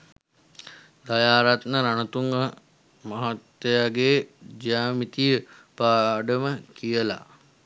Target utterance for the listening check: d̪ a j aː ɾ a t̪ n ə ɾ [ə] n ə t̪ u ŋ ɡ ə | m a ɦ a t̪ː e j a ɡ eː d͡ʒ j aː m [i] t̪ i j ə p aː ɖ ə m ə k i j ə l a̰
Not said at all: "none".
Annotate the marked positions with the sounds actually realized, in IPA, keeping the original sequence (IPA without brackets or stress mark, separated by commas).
a, i